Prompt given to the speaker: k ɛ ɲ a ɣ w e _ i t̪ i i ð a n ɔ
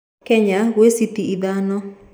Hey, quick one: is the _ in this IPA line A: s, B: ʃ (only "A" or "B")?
A